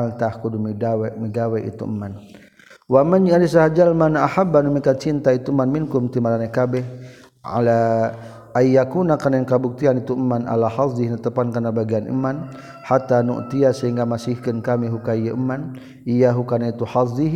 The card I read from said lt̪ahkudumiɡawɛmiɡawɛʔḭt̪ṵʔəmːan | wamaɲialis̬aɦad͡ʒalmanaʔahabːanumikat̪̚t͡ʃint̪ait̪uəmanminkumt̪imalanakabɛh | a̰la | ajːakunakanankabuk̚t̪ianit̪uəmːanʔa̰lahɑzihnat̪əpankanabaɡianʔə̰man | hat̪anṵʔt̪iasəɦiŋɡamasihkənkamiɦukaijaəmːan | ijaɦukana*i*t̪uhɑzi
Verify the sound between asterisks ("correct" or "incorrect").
correct